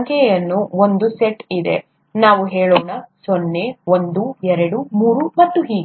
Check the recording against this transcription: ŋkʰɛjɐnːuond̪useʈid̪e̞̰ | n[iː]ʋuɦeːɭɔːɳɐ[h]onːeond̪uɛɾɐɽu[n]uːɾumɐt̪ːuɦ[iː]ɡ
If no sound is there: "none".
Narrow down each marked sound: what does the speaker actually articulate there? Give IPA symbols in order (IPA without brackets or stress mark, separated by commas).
aː, s, m, iː